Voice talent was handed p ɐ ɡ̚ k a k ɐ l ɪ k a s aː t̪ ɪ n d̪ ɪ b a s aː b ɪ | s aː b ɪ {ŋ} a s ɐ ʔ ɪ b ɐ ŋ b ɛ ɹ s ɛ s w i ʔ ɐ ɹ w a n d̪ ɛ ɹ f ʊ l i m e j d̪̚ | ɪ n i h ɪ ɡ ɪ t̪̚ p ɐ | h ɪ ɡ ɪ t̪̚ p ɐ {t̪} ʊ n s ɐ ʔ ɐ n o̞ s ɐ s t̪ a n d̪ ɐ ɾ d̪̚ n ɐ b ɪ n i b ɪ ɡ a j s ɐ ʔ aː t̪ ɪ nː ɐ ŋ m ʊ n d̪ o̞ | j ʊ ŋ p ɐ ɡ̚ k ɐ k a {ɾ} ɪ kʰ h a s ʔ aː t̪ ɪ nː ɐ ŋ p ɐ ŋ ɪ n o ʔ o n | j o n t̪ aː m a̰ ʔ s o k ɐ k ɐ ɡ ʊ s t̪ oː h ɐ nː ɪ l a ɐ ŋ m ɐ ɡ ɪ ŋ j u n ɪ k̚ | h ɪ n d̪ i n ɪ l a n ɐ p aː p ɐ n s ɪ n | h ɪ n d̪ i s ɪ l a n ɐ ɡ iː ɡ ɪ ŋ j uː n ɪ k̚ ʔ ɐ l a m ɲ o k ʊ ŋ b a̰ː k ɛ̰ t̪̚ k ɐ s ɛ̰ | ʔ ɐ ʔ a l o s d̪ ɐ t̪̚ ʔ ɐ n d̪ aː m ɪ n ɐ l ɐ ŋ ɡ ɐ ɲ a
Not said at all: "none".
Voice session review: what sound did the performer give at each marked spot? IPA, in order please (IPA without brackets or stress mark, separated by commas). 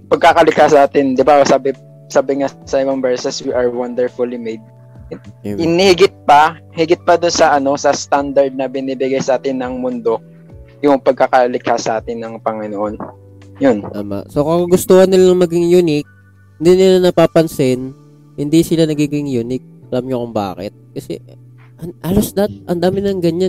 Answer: ŋ, d̪, l